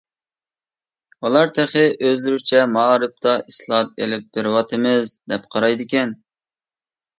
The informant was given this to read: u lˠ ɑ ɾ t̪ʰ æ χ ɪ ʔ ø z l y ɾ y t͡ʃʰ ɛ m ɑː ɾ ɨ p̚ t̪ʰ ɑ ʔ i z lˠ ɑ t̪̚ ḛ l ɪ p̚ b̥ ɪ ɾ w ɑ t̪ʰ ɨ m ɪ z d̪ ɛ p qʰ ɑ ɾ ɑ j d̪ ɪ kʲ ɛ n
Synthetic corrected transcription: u lˠ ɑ ɾ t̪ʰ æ χ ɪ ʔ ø z l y ɾ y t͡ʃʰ ɛ m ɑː ɾ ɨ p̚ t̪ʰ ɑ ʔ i s lˠ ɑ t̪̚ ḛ l ɪ p̚ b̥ ɪ ɾ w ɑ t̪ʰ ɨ m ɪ z d̪ ɛ p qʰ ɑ ɾ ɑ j d̪ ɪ kʲ ɛ n